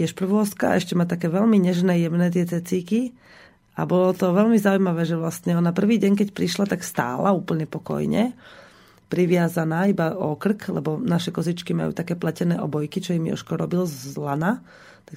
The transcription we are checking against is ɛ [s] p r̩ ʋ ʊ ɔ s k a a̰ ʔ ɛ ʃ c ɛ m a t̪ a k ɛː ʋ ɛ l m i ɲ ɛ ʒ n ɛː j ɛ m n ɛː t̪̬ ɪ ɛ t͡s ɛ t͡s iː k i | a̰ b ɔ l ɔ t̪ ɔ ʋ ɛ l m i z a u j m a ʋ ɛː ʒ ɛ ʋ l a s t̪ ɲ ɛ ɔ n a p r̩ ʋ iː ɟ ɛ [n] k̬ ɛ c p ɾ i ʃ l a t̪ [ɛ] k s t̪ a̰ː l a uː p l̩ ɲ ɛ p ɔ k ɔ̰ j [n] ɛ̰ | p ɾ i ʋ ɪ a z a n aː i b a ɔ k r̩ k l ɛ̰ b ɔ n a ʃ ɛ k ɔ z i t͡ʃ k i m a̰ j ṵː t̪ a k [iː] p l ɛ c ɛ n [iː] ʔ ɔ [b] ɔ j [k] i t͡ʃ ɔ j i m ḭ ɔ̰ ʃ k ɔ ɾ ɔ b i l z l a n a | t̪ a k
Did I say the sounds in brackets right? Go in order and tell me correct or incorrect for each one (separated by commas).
incorrect, incorrect, incorrect, incorrect, incorrect, incorrect, correct, correct